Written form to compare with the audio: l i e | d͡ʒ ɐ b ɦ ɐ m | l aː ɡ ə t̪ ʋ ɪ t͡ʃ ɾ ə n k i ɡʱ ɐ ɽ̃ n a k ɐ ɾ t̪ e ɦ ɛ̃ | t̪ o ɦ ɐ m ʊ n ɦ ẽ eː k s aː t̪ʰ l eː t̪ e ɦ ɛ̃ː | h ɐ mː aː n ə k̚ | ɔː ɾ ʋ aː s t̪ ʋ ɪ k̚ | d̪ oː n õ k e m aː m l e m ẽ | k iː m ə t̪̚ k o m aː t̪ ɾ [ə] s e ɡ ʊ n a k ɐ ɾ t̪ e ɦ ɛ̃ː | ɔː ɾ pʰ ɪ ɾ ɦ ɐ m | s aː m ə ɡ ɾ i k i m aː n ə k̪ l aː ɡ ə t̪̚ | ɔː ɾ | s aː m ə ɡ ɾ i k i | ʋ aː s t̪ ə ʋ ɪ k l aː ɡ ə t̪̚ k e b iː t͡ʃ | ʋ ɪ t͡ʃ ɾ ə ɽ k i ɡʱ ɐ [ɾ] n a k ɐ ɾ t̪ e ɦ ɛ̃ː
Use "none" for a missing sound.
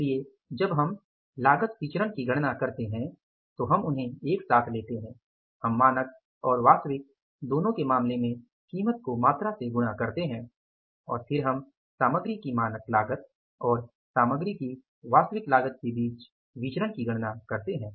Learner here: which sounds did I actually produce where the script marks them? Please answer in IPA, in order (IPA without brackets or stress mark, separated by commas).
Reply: a, ɽ